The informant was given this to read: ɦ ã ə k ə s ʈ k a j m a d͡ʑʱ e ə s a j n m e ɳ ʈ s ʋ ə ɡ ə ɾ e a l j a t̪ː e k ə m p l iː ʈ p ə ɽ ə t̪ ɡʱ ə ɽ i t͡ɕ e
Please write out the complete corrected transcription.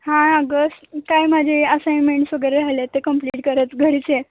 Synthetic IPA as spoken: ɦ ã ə ɡ ə s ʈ k a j m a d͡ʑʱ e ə s a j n m e ɳ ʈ s ʋ ə ɡ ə ɾ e a l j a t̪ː e k ə m p l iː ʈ k ə ɾ ə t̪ ɡʱ ə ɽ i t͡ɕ e